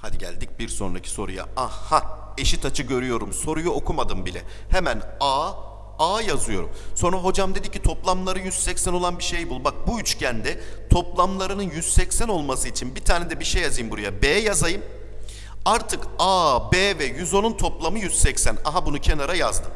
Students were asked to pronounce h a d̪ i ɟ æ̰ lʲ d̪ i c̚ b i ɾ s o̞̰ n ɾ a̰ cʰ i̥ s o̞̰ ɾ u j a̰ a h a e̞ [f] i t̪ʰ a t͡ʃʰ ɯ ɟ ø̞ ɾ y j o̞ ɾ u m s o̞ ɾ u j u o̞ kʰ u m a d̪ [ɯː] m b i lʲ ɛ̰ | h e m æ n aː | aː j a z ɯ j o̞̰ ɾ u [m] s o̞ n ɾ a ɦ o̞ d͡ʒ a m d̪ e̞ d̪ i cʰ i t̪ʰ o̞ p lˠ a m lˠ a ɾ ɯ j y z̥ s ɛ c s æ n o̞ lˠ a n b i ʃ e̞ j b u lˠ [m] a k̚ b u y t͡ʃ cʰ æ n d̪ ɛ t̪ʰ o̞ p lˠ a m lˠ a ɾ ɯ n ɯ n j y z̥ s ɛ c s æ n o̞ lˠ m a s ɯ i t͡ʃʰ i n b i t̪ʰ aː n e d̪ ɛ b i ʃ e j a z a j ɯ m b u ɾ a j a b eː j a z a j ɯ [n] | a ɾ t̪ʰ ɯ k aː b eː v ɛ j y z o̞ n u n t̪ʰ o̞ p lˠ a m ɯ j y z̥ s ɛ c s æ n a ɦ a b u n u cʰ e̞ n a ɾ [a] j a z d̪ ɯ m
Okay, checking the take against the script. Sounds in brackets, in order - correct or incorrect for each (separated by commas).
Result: incorrect, incorrect, correct, incorrect, incorrect, correct